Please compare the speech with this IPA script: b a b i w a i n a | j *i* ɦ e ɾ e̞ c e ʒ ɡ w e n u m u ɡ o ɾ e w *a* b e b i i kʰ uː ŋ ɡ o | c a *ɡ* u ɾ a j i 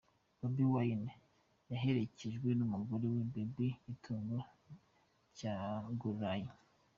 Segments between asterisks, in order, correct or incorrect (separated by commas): incorrect, incorrect, correct